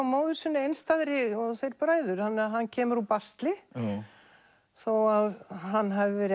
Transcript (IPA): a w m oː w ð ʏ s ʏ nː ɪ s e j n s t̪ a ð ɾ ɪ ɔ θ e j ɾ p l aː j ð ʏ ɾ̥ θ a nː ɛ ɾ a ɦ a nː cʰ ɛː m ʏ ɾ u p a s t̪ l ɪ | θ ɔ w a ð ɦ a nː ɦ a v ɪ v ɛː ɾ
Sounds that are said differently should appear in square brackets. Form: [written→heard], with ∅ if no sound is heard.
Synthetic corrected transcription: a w m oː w ð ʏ s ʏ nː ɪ [s→∅] e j n s t̪ a ð ɾ ɪ ɔ θ e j ɾ p [l→ɾ] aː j ð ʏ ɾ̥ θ a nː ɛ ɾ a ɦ a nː cʰ ɛː m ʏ ɾ u p a s t̪ l ɪ | θ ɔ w a ð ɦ a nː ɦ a v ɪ v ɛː ɾ

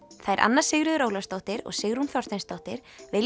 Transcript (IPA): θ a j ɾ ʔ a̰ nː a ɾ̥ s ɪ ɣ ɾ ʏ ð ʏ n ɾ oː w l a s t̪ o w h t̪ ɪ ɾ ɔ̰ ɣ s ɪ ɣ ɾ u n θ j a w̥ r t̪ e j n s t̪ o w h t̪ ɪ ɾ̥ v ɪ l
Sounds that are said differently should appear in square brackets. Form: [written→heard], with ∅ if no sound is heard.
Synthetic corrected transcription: θ a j ɾ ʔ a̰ nː a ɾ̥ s ɪ ɣ ɾ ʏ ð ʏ [n→∅] ɾ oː w l a s t̪ o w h t̪ ɪ ɾ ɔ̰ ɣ s ɪ ɣ ɾ u n θ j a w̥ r t̪ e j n s t̪ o w h t̪ ɪ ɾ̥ v ɪ l

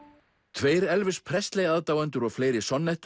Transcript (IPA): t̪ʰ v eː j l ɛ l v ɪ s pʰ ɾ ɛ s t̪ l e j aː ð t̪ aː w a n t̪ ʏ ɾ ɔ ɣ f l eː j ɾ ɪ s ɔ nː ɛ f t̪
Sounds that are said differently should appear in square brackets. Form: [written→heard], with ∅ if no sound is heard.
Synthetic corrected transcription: t̪ʰ v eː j [l→ɾ] ɛ l v ɪ s pʰ ɾ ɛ s t̪ l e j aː ð t̪ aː w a n t̪ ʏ ɾ ɔ ɣ f l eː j ɾ ɪ s ɔ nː ɛ [f→h] t̪

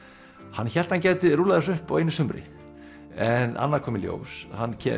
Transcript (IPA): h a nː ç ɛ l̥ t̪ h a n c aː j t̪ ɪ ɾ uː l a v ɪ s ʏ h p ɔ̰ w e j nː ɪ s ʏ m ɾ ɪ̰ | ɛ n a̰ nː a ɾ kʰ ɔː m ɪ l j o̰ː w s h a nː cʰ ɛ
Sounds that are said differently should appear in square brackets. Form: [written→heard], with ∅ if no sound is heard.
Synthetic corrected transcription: h a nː ç ɛ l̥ t̪ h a n c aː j t̪ ɪ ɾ uː l a [v→ð] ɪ s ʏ h p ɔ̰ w e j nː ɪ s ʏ m ɾ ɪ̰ | ɛ n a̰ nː a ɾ kʰ ɔː m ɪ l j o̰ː w s h a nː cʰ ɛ

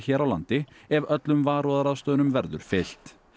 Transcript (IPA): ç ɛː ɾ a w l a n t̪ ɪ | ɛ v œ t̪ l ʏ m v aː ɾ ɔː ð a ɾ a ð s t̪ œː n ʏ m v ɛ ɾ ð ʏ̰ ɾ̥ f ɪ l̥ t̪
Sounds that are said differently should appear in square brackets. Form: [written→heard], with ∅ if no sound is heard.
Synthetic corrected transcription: ç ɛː ɾ a w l a n t̪ ɪ | ɛ v œ t̪ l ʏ m v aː ɾ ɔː ð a ɾ a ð s t̪ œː n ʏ m v ɛ ɾ ð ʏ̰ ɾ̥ f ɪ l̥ t̪

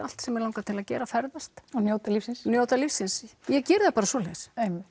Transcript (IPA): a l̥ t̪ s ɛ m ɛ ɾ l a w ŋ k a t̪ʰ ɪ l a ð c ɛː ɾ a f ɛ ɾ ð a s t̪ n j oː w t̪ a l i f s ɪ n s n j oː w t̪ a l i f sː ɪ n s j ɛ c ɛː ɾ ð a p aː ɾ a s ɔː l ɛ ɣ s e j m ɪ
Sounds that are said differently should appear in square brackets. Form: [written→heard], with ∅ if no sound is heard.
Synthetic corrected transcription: a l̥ t̪ s ɛ m ɛ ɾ l a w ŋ k a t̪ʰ ɪ l a ð c ɛː ɾ a f ɛ ɾ ð a s t̪ n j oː w t̪ a l i f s ɪ n s n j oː w t̪ a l i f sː ɪ n s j ɛ c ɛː ɾ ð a p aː ɾ a s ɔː l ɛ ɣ s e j m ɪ

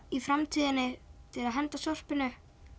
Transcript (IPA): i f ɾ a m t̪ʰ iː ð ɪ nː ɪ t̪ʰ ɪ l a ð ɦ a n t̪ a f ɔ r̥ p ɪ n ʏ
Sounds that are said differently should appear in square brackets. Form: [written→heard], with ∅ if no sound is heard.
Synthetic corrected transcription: i f ɾ a m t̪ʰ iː ð ɪ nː ɪ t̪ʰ ɪ l a ð ɦ [a→ɛ] n t̪ a [f→s] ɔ r̥ p ɪ n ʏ

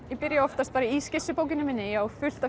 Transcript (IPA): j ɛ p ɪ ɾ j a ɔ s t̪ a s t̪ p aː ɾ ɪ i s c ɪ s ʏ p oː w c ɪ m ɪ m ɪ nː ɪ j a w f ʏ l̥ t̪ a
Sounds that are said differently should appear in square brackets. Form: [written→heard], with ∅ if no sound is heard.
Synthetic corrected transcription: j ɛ p ɪ ɾ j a ɔ [s→f] t̪ a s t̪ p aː ɾ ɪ i s c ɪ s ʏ p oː w c ɪ [m→n] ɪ m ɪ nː ɪ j a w f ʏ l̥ t̪ a

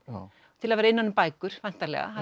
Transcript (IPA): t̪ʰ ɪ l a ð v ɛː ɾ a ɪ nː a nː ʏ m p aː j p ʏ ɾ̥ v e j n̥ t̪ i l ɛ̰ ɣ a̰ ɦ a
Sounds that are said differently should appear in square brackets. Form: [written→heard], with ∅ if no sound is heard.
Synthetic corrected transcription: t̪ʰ ɪ l a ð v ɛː ɾ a ɪ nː a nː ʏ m p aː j [p→k] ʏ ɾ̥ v [e→a] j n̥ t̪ [i→a] l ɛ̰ ɣ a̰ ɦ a

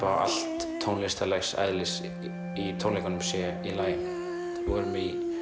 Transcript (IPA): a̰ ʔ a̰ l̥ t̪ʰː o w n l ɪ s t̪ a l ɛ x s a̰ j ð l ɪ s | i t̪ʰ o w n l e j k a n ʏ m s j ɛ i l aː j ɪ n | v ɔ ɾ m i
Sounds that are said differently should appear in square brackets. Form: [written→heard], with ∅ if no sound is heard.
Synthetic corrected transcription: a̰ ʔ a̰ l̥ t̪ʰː o w n l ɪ s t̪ a l ɛ x s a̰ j ð l ɪ s | i t̪ʰ o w n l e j k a n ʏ m s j ɛ i l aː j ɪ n | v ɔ ɾ m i

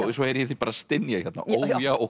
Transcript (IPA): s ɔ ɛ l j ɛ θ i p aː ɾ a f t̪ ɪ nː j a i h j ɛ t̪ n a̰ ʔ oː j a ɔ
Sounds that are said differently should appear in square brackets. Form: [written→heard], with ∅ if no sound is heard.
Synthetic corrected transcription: s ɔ ɛ [l→ɾ] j ɛ θ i p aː ɾ a [f→s] t̪ ɪ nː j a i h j ɛ t̪ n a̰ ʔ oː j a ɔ

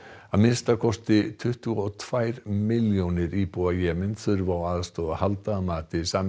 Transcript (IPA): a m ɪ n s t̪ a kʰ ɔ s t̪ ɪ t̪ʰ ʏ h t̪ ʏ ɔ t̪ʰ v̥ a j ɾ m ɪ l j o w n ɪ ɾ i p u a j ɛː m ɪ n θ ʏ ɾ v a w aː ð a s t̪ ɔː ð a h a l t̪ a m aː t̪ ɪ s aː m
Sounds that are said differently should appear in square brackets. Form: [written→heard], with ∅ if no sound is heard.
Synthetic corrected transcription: a m ɪ n s t̪ a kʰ ɔ s t̪ ɪ t̪ʰ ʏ h t̪ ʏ ɔ t̪ʰ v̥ a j ɾ m ɪ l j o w n ɪ ɾ i p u a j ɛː m ɪ n θ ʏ ɾ v a w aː ð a s t̪ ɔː ð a h a l t̪ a m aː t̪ ɪ s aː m

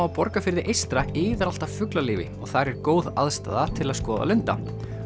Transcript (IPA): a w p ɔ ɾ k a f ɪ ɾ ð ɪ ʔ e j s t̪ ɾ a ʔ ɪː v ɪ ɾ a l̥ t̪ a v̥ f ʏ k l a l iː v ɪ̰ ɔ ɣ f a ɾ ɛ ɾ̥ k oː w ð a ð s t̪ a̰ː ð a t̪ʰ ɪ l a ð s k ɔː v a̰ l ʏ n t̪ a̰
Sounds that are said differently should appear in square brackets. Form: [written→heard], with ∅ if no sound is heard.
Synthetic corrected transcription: a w p ɔ ɾ k a f ɪ ɾ ð ɪ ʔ e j s t̪ ɾ a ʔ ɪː [v→ð] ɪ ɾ a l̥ t̪ a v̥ f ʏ k l a l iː v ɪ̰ ɔ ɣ [f→θ] a ɾ ɛ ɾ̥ k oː w ð a ð s t̪ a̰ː ð a t̪ʰ ɪ l a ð s k ɔː [v→ð] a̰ l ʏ n t̪ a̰

